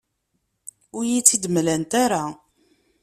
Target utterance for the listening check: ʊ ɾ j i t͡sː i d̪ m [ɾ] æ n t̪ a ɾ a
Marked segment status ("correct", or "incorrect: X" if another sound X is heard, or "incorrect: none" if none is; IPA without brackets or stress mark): incorrect: l